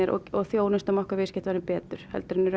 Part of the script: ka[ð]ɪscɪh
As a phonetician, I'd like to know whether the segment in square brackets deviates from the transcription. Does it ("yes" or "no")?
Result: yes